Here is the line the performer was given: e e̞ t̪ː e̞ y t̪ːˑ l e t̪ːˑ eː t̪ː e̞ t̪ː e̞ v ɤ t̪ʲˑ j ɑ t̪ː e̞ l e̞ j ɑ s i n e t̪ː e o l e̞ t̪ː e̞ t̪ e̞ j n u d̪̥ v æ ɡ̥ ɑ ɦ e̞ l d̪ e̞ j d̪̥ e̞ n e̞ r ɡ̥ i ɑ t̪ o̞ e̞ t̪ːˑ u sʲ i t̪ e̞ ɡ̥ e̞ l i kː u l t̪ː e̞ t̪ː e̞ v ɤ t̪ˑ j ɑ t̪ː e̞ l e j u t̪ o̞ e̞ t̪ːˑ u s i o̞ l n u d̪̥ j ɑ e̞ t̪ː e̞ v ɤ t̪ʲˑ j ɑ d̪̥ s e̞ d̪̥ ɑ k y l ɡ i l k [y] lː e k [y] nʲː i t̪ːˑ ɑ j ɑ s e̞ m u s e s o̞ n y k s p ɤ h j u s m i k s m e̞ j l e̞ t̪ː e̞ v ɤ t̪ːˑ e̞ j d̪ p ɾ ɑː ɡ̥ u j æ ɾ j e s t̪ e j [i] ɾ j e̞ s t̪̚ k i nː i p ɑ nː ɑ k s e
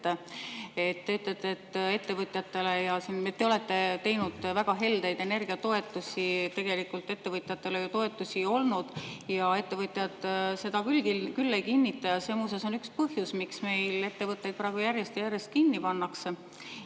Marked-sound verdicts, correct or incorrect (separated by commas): correct, incorrect, incorrect